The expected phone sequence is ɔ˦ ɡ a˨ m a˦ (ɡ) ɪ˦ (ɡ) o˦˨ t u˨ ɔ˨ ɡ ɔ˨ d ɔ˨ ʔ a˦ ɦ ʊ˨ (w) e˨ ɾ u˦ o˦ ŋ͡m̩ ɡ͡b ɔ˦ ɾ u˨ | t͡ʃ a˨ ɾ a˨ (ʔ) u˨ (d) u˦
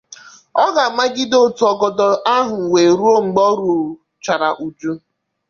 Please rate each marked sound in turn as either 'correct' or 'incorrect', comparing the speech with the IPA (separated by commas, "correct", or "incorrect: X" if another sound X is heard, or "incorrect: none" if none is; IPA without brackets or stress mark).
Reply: correct, incorrect: d, correct, correct, incorrect: d͡ʒ